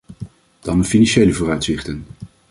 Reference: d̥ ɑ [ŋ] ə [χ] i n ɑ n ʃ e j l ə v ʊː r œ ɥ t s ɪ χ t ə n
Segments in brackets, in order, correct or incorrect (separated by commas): incorrect, incorrect